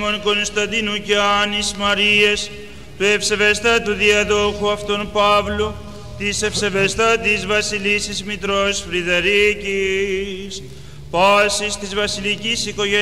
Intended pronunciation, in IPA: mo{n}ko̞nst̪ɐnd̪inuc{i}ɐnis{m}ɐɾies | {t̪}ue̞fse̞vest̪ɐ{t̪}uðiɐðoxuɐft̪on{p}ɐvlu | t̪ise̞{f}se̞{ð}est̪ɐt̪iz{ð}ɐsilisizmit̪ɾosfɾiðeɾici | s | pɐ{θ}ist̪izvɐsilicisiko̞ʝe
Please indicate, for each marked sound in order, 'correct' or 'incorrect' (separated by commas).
correct, incorrect, correct, correct, correct, correct, correct, incorrect, incorrect, incorrect